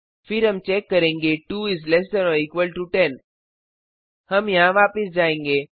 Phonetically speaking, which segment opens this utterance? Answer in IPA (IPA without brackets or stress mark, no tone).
f